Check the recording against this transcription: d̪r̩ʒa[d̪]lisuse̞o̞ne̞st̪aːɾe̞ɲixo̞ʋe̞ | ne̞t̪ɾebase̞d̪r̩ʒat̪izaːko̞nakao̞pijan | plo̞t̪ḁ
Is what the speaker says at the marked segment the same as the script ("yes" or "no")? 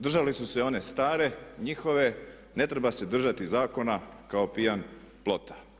no